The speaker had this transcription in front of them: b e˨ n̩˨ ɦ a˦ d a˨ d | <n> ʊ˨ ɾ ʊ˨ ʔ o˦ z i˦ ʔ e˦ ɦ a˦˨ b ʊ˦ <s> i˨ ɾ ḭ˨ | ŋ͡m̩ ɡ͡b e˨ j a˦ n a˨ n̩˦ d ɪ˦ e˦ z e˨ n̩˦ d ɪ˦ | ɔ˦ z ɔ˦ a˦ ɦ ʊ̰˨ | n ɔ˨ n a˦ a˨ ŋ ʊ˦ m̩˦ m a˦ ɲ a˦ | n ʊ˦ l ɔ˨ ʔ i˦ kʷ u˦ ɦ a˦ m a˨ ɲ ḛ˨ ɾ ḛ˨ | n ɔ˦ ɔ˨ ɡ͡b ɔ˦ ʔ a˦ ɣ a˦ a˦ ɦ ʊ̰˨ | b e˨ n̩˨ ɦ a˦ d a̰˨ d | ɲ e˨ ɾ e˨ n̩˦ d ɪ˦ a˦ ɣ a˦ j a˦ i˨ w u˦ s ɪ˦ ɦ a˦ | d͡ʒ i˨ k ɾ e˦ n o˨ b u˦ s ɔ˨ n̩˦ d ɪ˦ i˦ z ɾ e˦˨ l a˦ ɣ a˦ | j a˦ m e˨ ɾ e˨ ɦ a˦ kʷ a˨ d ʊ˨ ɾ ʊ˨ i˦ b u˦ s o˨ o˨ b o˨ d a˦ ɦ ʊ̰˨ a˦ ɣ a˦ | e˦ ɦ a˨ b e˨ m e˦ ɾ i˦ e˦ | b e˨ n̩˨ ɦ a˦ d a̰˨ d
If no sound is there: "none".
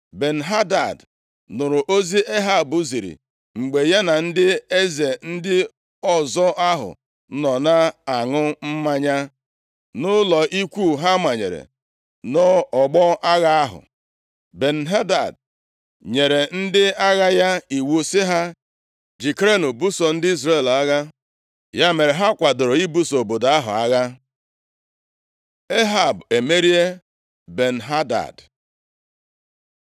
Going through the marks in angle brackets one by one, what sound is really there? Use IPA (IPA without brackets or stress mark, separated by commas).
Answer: n, z